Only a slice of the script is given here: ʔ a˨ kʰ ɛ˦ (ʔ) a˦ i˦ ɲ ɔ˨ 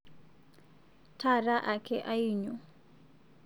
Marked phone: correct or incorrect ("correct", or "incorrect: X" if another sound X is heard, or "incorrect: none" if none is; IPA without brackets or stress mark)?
correct